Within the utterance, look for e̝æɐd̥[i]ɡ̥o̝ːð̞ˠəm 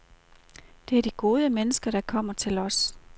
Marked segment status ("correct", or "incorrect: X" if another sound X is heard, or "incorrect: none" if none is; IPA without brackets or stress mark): correct